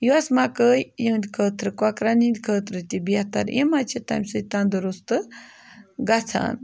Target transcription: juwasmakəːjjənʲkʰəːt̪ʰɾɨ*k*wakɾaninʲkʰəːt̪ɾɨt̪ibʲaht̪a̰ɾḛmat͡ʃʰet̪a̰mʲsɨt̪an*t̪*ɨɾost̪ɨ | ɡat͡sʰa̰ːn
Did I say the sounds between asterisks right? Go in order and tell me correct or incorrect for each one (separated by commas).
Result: correct, incorrect